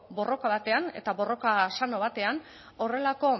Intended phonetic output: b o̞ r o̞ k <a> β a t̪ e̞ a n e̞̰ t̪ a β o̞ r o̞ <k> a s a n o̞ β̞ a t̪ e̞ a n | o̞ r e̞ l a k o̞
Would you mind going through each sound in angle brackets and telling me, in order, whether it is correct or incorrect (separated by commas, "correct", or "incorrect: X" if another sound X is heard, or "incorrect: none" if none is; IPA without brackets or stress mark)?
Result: correct, correct